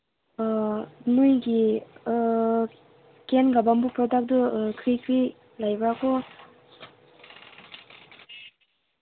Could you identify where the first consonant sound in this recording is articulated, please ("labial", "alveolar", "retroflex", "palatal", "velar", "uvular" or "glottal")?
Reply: alveolar